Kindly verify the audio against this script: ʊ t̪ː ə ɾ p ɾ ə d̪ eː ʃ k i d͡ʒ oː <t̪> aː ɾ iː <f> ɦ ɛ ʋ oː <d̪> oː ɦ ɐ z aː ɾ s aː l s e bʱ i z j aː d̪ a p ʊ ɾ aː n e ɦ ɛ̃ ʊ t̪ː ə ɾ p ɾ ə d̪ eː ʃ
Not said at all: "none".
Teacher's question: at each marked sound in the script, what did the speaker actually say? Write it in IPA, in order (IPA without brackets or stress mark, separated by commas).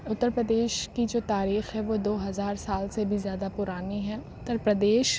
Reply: t̪, x, d̪